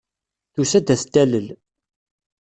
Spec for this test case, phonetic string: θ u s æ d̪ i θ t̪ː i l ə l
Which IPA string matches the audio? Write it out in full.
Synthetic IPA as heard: θ u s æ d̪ æ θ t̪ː æ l ə l